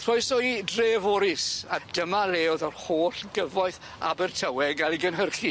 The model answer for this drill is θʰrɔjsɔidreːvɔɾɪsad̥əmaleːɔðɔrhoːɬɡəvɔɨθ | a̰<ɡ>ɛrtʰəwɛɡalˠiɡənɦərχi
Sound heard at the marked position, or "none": b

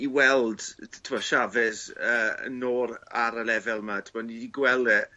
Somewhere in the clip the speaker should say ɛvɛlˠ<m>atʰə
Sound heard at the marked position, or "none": m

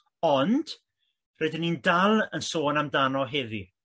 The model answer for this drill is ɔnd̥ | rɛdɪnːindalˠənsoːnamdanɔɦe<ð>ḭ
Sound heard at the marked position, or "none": ð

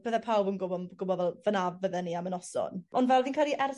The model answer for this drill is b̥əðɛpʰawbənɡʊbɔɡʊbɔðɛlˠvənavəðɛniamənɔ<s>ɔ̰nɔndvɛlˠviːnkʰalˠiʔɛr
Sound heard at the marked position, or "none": s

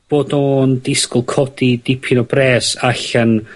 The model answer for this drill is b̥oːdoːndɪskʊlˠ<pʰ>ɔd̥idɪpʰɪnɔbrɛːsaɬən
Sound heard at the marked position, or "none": kʰ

